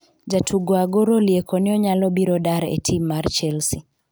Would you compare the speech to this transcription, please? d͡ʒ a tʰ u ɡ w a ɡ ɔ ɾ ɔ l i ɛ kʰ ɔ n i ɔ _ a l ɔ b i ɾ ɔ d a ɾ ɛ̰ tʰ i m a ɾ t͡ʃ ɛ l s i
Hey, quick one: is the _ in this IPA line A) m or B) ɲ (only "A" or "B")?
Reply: B